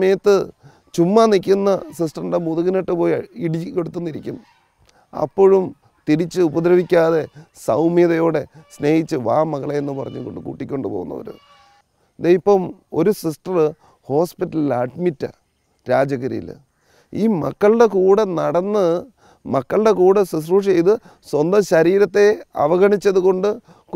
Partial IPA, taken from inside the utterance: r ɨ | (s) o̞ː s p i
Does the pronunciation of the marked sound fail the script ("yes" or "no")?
yes